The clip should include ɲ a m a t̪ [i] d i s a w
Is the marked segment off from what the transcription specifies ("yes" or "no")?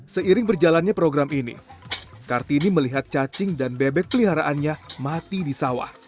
no